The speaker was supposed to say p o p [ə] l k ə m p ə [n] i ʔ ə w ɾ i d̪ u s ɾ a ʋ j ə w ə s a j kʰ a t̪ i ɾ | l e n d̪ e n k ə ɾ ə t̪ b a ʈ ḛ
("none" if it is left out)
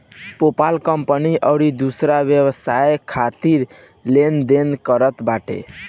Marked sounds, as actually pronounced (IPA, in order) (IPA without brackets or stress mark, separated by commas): a, n